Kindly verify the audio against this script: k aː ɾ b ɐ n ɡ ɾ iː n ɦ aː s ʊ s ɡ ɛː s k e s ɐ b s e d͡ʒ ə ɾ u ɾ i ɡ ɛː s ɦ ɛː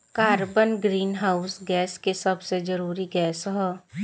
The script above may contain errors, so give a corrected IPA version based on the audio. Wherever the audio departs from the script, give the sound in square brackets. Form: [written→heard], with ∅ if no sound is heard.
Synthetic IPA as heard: k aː ɾ b [ɐ→ə] n ɡ ɾ iː n ɦ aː [s→∅] ʊ s ɡ ɛː s k e s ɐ b s e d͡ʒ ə ɾ [u→uː] ɾ i ɡ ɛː s ɦ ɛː